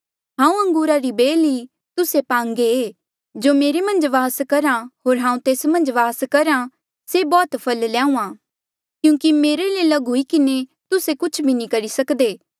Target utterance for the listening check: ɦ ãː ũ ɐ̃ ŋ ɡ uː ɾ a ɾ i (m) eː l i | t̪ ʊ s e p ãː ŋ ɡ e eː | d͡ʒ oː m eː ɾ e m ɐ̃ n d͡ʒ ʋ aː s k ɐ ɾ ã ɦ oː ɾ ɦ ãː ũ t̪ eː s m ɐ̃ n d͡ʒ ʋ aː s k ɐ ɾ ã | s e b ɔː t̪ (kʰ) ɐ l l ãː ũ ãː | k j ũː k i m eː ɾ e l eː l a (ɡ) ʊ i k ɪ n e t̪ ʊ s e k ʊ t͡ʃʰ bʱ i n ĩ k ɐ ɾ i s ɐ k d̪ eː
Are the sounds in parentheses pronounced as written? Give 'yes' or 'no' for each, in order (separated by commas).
no, no, yes